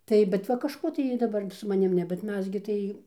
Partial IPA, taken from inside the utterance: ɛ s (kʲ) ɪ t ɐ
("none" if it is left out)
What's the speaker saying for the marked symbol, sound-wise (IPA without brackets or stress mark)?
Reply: ɡʲ